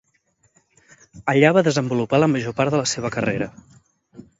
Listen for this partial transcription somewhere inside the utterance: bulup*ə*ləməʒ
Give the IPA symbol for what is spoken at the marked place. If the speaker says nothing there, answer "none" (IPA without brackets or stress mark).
a